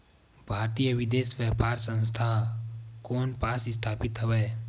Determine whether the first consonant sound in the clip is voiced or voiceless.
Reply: voiced